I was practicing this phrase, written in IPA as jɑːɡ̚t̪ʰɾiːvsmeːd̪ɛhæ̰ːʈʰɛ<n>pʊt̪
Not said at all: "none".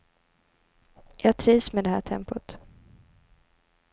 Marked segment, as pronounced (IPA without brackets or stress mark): m